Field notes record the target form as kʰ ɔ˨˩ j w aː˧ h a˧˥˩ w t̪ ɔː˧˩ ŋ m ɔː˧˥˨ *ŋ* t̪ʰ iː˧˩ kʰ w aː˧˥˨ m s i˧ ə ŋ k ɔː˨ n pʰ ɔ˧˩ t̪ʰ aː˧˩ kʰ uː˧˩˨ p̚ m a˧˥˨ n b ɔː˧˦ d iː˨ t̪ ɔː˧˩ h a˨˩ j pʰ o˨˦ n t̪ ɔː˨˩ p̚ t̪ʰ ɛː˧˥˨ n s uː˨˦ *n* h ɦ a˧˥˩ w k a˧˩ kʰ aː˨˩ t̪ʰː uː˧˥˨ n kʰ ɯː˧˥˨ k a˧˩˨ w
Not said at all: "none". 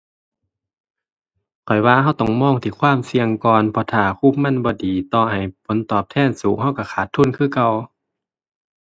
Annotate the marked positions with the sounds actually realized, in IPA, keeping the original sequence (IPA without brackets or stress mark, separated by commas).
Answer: ŋ, ŋ